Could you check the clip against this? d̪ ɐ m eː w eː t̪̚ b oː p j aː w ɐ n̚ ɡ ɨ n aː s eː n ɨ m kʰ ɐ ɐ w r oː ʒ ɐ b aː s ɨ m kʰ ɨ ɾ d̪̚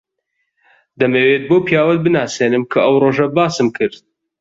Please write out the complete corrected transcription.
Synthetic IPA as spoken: d̪ ɐ m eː w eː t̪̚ b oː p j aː w ɐ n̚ b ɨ n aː s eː n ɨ m kʰ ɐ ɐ w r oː ʒ ɐ b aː s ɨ m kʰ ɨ ɾ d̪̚